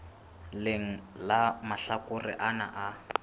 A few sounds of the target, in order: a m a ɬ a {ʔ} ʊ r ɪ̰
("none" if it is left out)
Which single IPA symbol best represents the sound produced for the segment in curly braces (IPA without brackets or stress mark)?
k